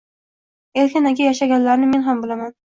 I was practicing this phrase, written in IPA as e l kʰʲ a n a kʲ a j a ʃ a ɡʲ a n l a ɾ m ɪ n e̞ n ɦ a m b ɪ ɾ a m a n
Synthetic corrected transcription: e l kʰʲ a n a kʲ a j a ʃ a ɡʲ a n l a ɾ n ɪ m e̞ n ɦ a m b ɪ l a m a n